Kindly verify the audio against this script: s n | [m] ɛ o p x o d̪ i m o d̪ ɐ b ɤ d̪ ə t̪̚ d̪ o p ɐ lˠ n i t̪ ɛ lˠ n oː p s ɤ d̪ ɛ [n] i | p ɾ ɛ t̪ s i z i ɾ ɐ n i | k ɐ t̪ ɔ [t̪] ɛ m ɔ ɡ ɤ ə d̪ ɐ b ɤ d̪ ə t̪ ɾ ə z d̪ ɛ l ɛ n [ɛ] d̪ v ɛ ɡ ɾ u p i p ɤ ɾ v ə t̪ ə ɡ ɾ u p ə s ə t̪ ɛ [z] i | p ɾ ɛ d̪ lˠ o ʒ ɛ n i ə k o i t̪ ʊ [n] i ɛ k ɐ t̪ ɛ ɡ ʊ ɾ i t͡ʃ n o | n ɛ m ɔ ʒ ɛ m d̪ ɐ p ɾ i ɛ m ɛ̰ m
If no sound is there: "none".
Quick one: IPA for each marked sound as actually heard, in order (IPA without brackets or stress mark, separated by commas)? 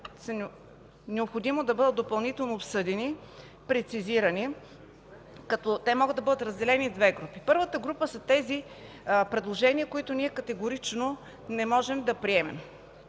n, n, t̪, i, z, n